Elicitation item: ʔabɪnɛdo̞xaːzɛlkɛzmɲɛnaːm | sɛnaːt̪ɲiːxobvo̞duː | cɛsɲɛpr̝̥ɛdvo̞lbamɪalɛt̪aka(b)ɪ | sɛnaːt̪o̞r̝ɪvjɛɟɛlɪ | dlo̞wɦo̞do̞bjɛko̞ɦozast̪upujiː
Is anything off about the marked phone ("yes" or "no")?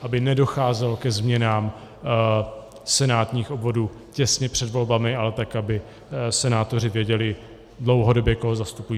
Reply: no